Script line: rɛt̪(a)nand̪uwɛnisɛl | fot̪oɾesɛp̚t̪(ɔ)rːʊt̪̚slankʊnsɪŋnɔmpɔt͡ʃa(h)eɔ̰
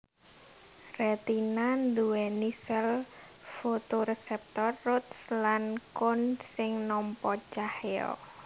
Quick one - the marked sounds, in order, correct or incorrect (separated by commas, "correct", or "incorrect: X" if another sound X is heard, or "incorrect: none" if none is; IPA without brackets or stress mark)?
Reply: incorrect: i, correct, correct